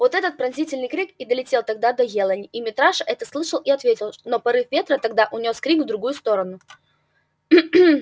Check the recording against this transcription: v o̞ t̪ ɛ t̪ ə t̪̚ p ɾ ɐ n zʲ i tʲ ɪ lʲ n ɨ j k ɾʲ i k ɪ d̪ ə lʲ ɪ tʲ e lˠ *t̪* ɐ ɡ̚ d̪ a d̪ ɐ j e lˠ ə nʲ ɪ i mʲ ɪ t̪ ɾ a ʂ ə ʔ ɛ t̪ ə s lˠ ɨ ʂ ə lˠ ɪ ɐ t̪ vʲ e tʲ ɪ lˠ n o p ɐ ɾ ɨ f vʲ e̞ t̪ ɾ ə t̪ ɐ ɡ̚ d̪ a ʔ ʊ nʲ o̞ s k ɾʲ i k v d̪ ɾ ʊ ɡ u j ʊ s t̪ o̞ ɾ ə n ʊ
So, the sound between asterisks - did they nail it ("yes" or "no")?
yes